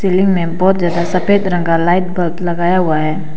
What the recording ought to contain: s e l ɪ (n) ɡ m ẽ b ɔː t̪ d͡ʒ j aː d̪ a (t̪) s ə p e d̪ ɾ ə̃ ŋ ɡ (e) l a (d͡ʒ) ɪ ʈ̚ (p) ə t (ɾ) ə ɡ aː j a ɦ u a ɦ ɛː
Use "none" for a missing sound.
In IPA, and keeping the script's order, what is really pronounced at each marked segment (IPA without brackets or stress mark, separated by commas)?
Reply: ŋ, none, a, none, b, l